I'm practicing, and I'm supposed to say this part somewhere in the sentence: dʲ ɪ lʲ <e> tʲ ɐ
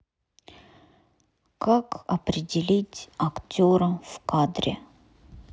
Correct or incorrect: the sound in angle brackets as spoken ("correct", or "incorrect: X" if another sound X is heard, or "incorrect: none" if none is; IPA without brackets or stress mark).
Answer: incorrect: i